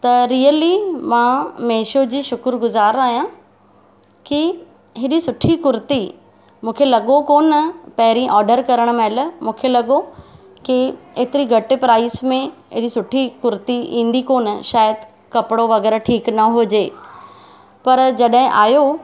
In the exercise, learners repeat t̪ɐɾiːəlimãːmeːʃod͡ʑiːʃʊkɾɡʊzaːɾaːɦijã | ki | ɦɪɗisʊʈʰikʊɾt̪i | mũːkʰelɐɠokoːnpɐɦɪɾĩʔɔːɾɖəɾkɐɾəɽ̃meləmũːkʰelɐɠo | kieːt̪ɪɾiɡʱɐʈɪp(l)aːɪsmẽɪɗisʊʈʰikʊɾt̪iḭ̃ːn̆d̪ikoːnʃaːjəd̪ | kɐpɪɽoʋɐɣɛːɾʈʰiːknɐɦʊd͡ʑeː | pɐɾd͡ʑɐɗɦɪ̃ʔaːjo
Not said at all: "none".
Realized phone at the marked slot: ɾ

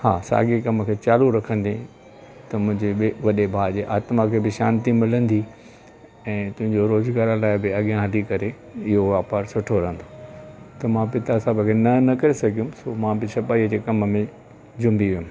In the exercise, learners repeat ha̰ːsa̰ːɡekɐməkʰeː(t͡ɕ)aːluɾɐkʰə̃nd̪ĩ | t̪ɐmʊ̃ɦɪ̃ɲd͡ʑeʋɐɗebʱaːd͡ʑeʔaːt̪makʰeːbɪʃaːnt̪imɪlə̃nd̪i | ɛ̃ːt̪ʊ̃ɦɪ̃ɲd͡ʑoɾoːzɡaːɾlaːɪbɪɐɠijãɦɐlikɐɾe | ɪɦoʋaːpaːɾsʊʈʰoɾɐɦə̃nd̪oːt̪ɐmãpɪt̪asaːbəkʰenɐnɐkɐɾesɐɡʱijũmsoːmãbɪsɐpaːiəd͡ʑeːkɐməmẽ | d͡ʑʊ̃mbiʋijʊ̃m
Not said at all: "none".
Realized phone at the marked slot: t͡ɕ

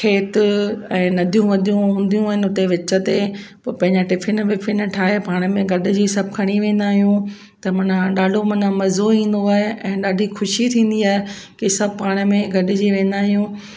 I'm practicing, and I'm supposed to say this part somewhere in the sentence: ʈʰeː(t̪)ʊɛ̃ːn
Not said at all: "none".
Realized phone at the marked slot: t̪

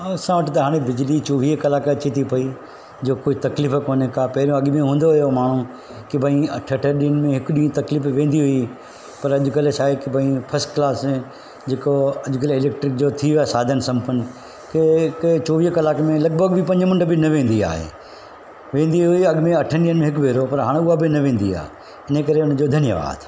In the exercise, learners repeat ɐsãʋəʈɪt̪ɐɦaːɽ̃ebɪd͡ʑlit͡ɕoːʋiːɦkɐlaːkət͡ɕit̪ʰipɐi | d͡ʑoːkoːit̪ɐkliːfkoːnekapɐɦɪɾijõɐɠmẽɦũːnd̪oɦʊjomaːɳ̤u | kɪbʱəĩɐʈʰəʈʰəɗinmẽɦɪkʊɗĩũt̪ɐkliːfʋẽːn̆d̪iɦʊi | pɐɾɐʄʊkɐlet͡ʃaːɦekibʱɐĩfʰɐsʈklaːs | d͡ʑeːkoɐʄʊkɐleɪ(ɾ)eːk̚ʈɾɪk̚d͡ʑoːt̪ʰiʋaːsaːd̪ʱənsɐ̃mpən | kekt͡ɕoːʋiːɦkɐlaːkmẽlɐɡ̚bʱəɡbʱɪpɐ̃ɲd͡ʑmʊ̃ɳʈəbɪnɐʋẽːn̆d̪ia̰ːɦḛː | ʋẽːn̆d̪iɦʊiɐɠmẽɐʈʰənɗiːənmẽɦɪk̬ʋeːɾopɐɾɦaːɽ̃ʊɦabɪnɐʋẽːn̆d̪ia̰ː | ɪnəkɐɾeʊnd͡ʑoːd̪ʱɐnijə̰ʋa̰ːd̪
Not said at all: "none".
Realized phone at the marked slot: l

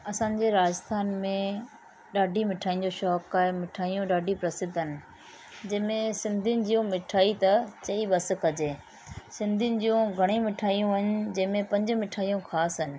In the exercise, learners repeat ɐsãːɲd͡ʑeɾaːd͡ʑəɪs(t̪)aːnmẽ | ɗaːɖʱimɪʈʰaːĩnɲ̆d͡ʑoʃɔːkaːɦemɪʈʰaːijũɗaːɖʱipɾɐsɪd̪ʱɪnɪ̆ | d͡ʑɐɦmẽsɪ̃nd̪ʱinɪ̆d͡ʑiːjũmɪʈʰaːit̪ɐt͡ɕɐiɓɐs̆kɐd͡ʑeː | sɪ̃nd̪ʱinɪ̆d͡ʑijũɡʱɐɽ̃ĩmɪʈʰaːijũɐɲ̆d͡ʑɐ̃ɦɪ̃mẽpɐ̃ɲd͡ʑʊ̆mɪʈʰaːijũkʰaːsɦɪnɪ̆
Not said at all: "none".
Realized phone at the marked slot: t̪ʰ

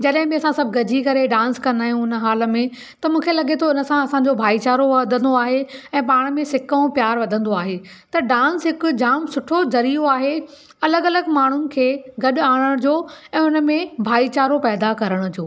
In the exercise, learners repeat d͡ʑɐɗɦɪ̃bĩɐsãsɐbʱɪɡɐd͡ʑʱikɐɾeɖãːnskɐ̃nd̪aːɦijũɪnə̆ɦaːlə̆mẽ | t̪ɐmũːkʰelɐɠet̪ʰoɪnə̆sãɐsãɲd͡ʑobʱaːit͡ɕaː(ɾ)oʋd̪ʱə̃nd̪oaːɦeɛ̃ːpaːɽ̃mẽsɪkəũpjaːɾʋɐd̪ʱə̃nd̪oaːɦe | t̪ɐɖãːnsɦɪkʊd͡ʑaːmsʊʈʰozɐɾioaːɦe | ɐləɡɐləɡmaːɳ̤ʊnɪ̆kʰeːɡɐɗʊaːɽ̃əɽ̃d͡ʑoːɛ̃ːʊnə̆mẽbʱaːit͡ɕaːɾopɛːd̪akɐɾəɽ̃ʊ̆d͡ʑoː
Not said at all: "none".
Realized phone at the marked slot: ɾ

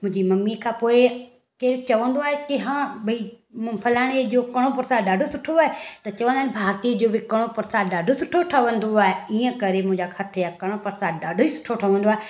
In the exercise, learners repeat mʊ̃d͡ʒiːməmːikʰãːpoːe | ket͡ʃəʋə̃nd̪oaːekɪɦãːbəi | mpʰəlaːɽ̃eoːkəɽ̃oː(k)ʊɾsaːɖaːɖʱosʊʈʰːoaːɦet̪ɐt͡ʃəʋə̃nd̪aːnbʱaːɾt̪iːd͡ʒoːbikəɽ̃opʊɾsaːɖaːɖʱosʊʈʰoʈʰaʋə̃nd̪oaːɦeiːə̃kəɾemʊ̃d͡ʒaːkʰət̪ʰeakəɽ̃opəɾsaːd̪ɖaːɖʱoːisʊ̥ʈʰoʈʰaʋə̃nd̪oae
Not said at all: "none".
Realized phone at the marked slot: p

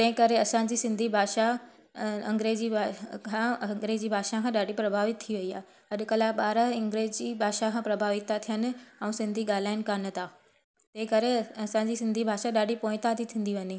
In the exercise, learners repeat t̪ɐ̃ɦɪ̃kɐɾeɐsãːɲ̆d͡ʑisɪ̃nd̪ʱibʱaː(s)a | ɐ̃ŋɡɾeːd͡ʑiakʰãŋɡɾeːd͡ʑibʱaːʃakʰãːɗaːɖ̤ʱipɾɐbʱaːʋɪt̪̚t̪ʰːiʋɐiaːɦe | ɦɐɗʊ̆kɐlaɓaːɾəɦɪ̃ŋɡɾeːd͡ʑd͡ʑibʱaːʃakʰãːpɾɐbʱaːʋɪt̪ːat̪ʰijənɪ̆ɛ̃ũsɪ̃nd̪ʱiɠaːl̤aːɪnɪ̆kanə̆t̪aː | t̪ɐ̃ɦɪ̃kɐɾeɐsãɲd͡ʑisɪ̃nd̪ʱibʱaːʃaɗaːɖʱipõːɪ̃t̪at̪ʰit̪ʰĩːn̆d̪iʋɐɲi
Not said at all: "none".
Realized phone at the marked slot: ʃ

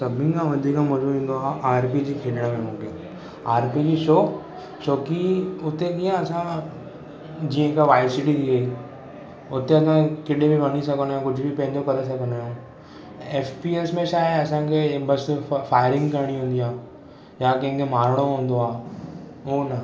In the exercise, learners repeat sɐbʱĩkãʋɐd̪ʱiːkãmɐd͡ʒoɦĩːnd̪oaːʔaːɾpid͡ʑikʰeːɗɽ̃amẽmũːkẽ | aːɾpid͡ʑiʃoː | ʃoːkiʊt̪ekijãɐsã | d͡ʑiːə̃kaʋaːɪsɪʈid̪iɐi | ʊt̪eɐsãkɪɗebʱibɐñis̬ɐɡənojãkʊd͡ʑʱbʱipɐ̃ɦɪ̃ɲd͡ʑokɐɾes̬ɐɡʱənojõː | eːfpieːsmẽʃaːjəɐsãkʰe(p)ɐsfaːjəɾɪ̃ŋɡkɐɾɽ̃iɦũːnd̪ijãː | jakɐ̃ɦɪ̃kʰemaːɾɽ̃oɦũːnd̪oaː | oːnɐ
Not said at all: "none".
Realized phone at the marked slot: b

